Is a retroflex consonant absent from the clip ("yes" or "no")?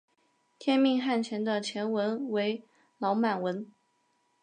yes